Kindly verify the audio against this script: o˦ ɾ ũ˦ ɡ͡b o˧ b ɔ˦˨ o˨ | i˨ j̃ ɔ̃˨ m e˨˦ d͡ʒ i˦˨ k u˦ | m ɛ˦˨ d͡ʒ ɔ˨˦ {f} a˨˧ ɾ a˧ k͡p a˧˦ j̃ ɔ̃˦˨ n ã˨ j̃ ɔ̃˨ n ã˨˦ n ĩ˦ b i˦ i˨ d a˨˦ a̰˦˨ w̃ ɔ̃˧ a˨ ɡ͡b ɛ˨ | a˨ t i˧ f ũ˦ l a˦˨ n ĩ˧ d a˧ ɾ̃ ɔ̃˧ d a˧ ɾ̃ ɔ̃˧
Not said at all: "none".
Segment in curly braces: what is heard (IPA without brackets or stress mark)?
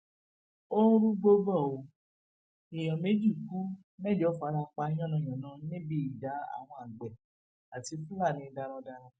f